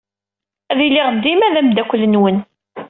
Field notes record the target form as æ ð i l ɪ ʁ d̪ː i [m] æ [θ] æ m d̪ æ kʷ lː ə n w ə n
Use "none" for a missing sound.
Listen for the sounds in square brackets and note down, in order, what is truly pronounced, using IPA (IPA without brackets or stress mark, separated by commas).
m, ð